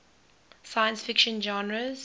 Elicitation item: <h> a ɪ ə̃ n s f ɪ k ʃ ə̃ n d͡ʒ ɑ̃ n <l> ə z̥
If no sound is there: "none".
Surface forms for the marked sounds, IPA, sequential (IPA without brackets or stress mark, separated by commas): s, ɹ